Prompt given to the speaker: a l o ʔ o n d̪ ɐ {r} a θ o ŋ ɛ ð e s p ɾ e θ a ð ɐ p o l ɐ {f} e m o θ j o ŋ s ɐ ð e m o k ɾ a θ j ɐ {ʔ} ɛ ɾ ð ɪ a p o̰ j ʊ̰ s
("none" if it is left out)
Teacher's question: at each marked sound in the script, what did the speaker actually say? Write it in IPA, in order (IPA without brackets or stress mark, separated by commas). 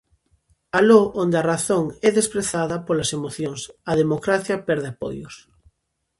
r, s, p